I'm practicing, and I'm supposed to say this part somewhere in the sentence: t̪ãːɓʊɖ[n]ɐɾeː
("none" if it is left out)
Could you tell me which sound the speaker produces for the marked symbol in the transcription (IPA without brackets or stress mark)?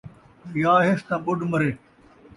m